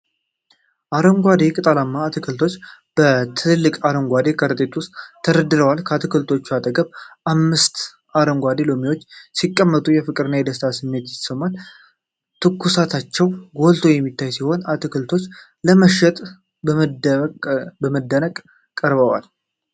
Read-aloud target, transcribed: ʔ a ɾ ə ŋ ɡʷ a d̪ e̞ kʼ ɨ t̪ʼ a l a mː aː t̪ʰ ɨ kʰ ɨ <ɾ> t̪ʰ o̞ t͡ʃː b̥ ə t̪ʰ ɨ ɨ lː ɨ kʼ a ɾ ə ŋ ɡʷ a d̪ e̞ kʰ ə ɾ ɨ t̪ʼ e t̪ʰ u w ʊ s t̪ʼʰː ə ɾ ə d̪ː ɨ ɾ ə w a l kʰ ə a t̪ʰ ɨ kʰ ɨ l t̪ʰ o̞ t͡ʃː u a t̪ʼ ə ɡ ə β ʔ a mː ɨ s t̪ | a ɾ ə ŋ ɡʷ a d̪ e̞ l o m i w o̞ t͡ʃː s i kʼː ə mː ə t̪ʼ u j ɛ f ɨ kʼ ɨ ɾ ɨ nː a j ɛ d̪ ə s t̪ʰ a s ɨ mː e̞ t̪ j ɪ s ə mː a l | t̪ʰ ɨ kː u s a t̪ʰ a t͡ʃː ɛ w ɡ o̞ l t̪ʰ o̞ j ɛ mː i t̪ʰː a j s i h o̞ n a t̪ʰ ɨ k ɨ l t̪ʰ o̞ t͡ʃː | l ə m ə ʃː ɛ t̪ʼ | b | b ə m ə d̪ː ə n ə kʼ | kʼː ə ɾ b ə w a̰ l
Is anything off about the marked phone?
yes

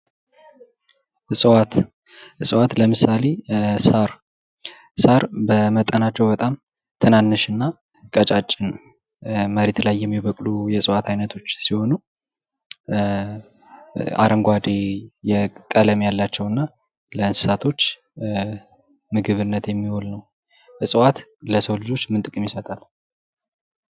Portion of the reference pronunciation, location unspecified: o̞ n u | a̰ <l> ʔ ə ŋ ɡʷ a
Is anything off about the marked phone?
yes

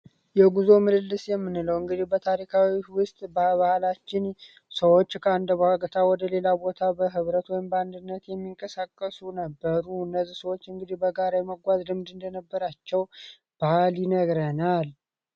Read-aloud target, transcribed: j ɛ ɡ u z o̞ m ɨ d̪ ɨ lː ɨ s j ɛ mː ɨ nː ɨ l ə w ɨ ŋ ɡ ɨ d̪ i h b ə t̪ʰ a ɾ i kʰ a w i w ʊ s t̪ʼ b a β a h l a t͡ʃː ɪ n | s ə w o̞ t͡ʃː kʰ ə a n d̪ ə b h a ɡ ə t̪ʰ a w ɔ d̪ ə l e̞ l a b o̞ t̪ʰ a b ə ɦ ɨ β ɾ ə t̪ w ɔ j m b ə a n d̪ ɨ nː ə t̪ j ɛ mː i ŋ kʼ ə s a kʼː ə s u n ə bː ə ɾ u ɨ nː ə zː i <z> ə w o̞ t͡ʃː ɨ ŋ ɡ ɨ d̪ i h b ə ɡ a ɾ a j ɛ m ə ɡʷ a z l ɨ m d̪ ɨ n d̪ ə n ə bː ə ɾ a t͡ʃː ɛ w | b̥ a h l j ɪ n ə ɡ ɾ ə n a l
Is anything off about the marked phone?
yes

